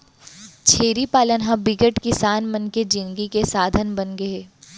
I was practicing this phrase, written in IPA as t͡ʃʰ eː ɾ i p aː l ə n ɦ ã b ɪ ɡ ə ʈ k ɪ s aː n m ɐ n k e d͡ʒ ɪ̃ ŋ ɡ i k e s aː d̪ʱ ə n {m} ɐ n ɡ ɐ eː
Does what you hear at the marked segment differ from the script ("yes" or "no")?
yes